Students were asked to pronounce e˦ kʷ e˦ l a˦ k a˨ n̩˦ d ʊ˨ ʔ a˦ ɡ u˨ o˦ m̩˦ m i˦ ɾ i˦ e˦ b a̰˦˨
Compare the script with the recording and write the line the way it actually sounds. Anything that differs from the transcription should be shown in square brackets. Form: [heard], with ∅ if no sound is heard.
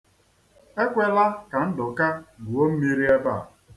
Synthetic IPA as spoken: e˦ kʷ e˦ l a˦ k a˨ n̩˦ d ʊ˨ [k] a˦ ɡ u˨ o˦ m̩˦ m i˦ ɾ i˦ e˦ b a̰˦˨